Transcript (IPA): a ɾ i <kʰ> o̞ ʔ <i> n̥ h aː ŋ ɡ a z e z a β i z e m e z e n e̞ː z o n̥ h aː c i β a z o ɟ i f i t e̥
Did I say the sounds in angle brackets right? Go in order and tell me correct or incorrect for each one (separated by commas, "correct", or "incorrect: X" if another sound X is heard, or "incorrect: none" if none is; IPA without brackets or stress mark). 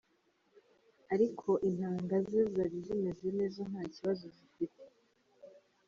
correct, correct